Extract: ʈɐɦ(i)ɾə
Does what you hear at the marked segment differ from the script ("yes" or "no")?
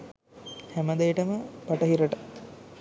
no